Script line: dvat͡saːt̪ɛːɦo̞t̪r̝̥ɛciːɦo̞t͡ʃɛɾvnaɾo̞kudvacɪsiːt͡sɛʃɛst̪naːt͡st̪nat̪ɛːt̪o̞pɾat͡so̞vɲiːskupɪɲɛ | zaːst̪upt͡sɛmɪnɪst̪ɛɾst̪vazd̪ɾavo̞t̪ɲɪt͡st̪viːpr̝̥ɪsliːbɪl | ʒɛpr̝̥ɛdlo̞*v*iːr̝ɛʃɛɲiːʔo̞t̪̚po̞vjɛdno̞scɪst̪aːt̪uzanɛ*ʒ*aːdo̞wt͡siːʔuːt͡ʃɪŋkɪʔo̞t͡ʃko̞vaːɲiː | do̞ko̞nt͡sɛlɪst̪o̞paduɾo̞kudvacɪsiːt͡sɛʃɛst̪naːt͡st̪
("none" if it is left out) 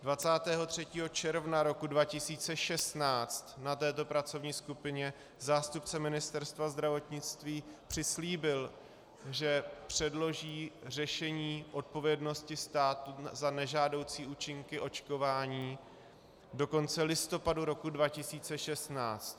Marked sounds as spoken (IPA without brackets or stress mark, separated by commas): ʒ, ʒ